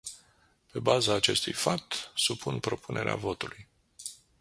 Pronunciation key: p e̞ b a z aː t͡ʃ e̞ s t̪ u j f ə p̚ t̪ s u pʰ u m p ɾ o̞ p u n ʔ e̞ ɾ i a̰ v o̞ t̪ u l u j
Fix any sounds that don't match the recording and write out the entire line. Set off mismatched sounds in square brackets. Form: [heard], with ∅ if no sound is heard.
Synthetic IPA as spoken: p e̞ b a z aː t͡ʃ e̞ s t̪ u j f [a] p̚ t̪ s u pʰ u [n] p ɾ o̞ p u n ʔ e̞ ɾ [e] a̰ v o̞ t̪ u l u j